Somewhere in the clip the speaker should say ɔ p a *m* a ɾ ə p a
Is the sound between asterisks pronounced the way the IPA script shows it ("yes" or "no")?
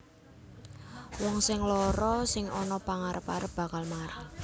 no